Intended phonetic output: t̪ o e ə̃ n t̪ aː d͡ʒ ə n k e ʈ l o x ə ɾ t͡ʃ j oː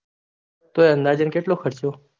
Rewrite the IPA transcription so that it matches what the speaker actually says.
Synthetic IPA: t̪ o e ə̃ n d̪ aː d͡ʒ ə n k e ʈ l o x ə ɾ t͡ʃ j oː